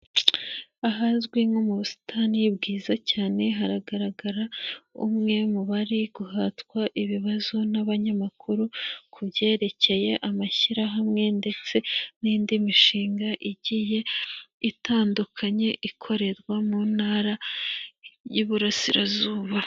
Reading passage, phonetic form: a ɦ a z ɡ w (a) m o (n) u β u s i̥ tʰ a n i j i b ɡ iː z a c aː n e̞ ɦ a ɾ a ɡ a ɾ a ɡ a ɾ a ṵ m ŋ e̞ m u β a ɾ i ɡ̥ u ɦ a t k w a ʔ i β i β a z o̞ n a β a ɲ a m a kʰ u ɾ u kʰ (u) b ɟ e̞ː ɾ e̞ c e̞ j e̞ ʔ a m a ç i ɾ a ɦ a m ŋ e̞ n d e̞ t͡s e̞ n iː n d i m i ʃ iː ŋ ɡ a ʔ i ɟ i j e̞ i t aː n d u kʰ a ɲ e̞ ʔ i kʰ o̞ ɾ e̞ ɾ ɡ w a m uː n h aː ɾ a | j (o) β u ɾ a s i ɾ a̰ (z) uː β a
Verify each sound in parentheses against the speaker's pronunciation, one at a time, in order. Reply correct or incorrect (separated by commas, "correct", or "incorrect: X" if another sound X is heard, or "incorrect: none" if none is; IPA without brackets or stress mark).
incorrect: i, incorrect: m, correct, incorrect: u, correct